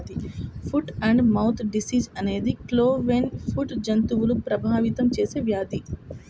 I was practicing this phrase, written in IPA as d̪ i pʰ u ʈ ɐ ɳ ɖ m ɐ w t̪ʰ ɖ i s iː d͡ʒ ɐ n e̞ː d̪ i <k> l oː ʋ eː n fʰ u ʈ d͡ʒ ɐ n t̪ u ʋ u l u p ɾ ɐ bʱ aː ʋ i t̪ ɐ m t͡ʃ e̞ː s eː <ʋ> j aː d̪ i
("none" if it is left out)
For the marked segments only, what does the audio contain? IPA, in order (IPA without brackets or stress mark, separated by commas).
k, ʋ